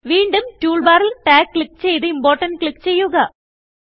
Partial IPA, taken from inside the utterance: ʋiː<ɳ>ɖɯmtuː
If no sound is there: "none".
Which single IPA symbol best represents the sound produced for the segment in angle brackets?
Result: ɳ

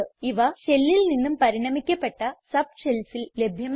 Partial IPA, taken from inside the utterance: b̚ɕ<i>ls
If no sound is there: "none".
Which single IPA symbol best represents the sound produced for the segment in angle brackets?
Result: e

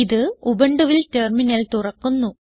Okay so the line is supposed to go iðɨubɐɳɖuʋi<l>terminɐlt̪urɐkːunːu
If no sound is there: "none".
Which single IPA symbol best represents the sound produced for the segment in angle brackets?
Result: l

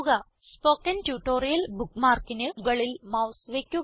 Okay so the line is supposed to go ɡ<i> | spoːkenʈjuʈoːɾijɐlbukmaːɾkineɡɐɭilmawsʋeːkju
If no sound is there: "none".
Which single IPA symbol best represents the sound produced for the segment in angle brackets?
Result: a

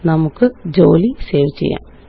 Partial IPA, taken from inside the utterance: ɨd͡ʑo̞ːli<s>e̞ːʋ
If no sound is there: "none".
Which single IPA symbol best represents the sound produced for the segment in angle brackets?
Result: s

